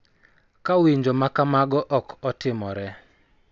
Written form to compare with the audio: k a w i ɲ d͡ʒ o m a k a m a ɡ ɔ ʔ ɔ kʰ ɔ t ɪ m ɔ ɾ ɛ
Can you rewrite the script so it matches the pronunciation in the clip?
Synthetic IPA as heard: k a w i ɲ d͡ʒ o m a k a m a ɡ ɔ ʔ ɔ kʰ ɔ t ɪ m ɔ ɾ ɛ